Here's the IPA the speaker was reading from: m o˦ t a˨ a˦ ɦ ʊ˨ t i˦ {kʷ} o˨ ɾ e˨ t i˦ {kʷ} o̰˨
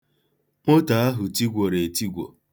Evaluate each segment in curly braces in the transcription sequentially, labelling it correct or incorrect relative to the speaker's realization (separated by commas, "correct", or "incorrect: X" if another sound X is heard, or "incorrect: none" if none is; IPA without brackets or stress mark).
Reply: incorrect: ɡʷ, incorrect: ɡʷ